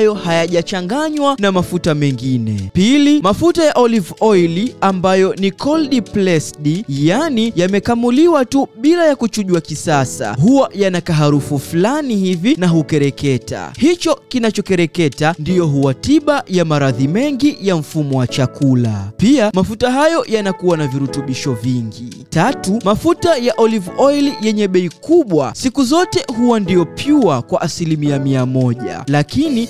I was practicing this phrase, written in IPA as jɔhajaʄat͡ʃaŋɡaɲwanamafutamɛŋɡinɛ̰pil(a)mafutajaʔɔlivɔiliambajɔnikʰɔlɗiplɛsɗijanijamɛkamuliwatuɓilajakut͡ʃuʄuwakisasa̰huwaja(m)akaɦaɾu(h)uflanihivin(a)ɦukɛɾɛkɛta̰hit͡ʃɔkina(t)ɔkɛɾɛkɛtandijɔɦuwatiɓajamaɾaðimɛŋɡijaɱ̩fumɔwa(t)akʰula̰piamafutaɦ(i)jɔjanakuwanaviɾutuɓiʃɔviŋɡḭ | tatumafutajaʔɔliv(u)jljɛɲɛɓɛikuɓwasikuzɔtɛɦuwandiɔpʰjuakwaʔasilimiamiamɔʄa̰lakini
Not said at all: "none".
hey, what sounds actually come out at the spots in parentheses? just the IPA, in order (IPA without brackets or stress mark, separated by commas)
i, n, f, a, t͡ʃ, t͡ʃ, a, ɔ